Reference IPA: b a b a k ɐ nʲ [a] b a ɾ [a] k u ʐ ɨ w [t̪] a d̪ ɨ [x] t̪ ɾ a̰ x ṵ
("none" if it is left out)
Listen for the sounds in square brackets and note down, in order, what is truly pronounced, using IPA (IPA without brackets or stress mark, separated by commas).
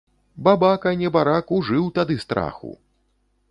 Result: ɛ, a, t̪, s